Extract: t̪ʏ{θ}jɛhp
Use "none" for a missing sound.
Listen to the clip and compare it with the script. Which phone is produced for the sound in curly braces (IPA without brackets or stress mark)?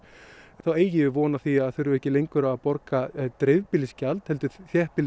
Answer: θ